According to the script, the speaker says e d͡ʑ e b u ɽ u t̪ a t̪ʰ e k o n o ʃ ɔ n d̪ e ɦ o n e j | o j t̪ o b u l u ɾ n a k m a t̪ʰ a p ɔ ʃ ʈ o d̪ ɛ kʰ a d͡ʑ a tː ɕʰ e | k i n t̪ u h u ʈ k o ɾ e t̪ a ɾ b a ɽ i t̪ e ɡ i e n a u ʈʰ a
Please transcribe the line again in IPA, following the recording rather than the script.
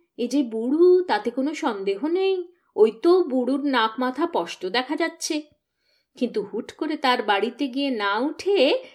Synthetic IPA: e d͡ʑ e b u ɽ u t̪ a t̪ e k o n o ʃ ɔ n d̪ e ɦ o n e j | o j t̪ o b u ɽ u ɾ n a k m a t̪ʰ a p ɔ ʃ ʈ o d̪ ɛ kʰ a d͡ʑ a tː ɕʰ e | k i n t̪ u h u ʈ k o ɾ e t̪ a ɾ b a ɽ i t̪ e ɡ i e n a u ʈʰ e